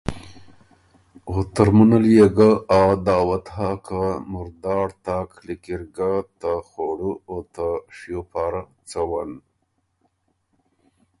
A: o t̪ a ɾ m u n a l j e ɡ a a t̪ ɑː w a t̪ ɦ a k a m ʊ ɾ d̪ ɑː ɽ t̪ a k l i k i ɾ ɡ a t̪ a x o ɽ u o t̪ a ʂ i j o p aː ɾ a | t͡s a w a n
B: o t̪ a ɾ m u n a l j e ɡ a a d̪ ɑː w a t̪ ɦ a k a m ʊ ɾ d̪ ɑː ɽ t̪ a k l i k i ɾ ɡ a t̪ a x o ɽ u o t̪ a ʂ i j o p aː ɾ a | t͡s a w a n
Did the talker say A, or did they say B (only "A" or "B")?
B